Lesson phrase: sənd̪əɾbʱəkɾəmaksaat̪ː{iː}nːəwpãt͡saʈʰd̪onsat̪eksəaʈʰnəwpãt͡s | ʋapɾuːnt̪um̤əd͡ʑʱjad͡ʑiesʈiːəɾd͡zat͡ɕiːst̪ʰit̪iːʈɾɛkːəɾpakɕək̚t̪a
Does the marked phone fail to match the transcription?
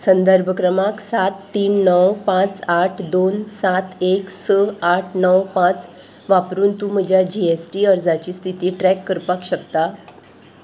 no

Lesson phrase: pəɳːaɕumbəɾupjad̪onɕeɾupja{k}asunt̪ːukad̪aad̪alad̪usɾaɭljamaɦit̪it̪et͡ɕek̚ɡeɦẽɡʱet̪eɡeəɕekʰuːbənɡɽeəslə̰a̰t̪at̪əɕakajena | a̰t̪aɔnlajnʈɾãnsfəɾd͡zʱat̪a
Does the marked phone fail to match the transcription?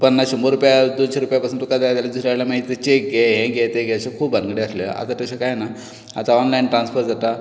yes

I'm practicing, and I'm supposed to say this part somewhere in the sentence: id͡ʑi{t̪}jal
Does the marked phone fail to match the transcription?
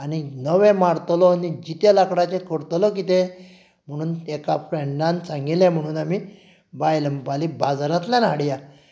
no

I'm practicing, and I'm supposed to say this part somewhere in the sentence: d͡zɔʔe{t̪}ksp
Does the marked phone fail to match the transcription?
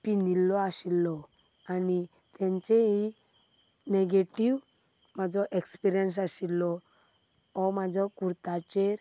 yes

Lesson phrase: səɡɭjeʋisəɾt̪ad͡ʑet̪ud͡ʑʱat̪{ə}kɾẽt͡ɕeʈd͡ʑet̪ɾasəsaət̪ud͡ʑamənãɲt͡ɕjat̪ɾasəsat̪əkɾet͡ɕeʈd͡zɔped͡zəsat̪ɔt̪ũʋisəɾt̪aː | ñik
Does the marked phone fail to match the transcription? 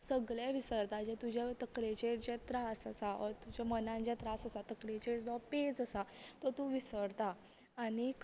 no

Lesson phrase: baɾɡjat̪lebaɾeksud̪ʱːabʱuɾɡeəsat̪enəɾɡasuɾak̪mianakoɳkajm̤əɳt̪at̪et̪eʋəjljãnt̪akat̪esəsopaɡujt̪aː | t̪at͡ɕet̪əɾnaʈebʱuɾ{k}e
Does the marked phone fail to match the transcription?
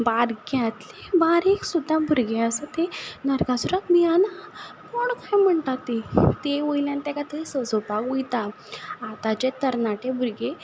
yes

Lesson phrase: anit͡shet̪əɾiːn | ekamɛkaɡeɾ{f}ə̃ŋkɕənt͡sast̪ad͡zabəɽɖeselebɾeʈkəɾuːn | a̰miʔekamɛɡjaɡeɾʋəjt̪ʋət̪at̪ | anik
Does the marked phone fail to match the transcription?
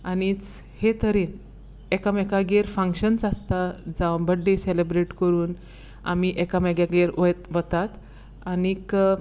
no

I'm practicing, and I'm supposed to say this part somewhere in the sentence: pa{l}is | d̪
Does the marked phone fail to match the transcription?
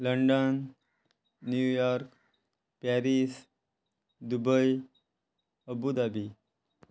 yes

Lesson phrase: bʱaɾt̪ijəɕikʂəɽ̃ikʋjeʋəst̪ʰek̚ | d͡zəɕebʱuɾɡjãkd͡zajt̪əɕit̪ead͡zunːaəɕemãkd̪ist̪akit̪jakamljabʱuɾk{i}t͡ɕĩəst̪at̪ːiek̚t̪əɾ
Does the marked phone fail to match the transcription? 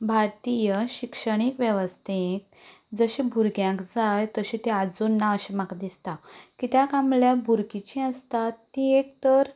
no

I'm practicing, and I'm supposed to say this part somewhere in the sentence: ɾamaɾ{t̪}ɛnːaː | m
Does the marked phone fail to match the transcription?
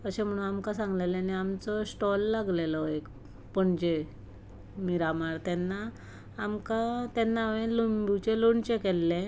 no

